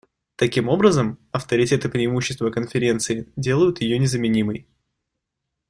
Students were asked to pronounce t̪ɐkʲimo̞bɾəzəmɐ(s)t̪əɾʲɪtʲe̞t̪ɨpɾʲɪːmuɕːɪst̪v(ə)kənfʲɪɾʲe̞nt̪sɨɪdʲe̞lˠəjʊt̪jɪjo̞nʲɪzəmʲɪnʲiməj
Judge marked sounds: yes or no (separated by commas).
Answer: no, yes